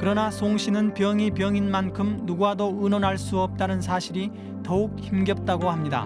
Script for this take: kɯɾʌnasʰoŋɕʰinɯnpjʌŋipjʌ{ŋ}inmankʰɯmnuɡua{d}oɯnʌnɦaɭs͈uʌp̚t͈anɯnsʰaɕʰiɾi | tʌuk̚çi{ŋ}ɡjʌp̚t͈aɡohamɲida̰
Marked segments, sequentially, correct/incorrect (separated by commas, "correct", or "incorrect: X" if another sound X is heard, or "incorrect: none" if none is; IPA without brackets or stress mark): correct, correct, incorrect: m